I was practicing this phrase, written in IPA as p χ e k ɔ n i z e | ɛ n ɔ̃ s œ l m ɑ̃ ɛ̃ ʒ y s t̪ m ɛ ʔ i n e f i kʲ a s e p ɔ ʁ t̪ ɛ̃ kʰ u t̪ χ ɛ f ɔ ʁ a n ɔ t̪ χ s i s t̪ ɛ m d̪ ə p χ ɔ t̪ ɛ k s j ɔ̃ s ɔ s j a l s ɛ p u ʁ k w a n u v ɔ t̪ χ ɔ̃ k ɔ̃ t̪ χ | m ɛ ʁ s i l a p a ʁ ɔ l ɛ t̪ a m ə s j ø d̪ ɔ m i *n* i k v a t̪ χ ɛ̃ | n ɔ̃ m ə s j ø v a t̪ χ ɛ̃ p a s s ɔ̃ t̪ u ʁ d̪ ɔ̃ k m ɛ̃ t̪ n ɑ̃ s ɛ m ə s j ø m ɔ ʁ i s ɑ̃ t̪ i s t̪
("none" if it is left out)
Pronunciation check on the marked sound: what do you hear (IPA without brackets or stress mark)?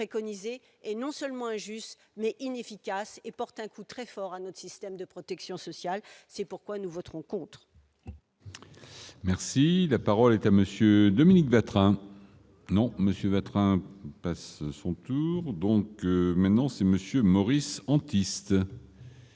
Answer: n